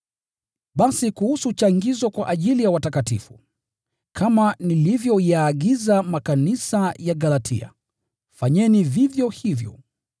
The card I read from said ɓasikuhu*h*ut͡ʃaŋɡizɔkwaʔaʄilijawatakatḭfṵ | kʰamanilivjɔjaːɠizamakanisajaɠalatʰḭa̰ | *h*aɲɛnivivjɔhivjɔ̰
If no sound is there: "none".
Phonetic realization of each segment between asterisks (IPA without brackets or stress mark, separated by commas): s, f